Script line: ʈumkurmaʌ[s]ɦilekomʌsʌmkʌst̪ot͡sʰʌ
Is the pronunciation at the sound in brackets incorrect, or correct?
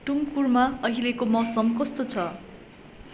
incorrect